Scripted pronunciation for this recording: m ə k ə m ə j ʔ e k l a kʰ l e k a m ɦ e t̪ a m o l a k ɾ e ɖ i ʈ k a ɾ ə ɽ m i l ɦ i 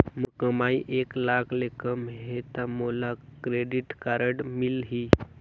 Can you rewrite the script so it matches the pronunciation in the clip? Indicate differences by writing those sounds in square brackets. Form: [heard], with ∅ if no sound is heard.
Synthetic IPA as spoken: m ə k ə m [a] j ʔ e k l a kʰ l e k [ə] m ɦ e t̪ a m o l a k ɾ e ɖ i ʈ k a ɾ ə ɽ m i l ɦ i